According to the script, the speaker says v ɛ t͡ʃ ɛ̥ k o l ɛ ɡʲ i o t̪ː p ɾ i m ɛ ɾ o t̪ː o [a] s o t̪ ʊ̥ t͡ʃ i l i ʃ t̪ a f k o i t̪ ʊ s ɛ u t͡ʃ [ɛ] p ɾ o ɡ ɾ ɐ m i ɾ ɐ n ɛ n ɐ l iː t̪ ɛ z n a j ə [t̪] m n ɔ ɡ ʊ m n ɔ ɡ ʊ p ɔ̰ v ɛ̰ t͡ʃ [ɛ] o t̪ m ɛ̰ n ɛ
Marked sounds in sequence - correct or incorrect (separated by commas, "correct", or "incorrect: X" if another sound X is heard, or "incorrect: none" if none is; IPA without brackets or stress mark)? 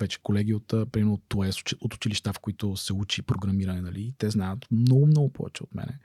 incorrect: ɛ, incorrect: i, correct, correct